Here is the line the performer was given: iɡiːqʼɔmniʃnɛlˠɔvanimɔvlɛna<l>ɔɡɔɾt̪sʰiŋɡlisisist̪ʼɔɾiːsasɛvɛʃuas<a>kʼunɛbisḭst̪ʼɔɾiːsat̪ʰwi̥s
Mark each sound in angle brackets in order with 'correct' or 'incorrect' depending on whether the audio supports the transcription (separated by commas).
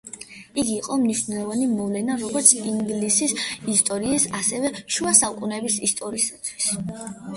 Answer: incorrect, correct